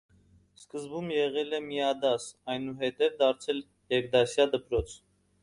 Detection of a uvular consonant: present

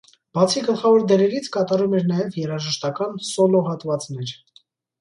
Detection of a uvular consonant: present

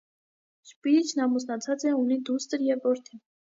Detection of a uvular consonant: absent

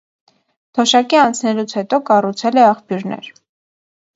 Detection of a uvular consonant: present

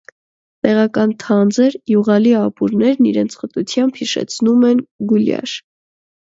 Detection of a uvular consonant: present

